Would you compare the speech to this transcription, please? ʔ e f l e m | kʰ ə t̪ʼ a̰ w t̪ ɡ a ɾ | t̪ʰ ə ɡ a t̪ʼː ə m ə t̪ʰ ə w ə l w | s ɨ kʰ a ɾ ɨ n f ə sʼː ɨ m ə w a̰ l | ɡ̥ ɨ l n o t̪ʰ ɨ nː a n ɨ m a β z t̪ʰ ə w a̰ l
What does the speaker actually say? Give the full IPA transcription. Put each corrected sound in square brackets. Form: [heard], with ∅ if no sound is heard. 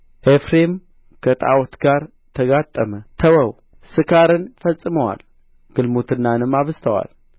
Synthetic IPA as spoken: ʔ e f [ɾ] e m | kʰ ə t̪ʼ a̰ w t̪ ɡ a ɾ | t̪ʰ ə ɡ a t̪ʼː ə m ə t̪ʰ ə w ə [∅] w | s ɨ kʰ a ɾ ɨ n f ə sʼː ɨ m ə w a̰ l | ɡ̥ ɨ l [m] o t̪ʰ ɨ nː a n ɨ m a β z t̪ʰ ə w a̰ l